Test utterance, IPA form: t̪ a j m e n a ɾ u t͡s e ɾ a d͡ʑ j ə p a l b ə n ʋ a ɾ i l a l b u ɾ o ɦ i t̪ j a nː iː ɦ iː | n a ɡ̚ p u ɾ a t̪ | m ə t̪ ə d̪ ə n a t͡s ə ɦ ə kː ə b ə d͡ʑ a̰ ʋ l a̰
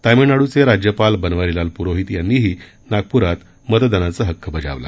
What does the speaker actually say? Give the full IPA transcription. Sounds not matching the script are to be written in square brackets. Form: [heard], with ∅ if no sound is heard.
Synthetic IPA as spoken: t̪ a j m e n a [ɽ] u t͡s e ɾ a d͡ʑ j ə p a l b ə n ʋ a ɾ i l a l [p] u ɾ o ɦ i t̪ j a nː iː ɦ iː | n a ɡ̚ p u ɾ a t̪ | m ə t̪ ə d̪ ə n a t͡s ə ɦ ə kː ə b ə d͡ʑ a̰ ʋ l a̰